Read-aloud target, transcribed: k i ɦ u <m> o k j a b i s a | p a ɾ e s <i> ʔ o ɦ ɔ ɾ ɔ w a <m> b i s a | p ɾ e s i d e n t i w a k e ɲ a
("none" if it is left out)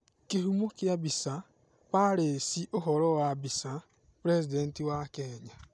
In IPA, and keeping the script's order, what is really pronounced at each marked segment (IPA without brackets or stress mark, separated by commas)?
m, i, none